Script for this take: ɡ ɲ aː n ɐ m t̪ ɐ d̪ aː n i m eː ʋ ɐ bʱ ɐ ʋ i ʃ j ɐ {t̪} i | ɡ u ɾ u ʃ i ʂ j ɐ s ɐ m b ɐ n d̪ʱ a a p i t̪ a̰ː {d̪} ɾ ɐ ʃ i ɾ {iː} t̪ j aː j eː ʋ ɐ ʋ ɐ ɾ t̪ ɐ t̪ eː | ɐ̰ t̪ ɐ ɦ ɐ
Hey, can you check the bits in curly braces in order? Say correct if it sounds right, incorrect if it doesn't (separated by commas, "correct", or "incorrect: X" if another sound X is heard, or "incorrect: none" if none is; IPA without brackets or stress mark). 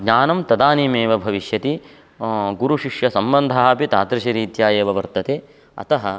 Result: correct, incorrect: t̪, correct